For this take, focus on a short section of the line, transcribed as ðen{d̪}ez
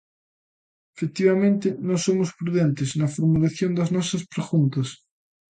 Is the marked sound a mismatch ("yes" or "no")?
yes